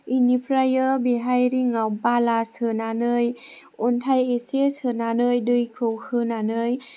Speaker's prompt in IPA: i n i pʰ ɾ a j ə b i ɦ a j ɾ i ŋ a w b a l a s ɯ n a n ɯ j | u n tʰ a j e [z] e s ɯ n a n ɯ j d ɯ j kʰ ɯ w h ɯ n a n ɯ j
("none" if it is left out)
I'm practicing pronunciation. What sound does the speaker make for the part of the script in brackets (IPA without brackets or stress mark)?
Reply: s